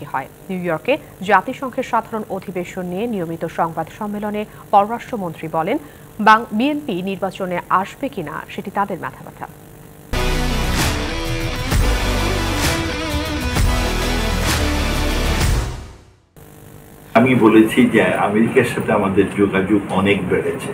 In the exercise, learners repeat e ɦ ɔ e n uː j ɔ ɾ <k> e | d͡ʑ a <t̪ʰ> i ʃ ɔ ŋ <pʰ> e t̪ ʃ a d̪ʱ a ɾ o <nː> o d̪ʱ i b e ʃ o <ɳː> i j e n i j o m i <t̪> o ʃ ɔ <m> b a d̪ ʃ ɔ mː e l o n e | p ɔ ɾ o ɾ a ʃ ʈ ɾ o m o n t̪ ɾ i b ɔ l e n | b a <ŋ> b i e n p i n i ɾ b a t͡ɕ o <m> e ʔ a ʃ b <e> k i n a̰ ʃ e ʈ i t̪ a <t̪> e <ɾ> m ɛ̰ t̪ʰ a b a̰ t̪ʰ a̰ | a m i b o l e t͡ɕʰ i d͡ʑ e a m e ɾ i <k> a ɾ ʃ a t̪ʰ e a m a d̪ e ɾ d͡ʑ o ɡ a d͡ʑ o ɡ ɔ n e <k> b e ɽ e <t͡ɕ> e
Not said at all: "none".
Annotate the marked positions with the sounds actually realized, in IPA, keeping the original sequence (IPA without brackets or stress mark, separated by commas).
k, t̪, kʰ, n, nː, t̪, ŋ, ŋ, n, e, d̪, ɾ, k, k, t͡ɕʰ